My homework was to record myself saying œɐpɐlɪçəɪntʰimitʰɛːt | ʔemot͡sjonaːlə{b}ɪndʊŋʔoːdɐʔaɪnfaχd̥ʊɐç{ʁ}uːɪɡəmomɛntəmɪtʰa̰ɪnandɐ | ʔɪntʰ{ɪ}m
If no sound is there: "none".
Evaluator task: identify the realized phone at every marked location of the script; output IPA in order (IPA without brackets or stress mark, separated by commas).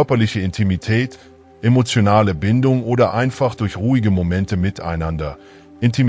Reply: b, ʁ, i